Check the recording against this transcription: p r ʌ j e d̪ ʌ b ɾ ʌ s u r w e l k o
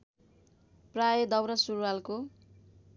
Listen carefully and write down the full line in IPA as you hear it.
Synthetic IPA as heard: p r a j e d̪ ʌ w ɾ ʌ s u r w a l k o